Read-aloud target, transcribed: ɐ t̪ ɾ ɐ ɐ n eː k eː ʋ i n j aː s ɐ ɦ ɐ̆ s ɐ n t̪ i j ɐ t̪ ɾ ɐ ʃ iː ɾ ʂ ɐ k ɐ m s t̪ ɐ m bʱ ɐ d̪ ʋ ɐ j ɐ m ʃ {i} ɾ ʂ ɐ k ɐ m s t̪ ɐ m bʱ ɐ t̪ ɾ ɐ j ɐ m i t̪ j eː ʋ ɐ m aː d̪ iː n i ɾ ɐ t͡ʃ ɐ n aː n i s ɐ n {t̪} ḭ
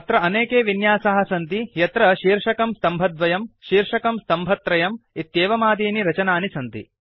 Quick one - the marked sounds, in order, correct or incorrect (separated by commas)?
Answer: incorrect, correct